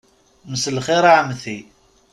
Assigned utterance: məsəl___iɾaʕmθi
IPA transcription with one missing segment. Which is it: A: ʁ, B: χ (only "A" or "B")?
B